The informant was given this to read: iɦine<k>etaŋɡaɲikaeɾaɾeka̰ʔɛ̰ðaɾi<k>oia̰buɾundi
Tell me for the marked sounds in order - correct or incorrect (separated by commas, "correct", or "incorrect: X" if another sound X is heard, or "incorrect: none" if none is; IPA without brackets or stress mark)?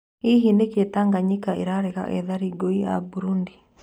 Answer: correct, incorrect: ɡ